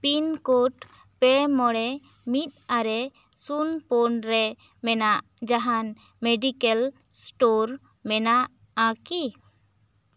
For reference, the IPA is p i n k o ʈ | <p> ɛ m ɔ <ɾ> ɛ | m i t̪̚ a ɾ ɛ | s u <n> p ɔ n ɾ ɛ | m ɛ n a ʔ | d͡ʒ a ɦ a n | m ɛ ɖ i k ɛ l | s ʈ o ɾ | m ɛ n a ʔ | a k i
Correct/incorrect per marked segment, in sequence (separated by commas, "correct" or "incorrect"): correct, incorrect, correct